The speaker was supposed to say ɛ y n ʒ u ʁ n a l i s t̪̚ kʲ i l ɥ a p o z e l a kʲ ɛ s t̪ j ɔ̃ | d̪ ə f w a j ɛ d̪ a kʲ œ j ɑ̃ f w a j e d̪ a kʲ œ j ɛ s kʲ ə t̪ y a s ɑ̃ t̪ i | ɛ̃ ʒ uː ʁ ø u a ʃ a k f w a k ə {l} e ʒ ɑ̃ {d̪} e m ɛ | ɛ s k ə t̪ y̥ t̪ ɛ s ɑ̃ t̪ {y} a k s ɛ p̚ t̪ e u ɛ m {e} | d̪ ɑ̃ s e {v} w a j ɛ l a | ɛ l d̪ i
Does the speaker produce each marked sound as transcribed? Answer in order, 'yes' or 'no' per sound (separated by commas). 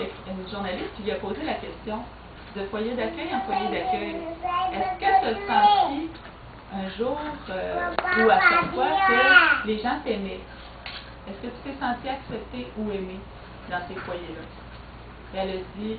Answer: yes, no, no, yes, no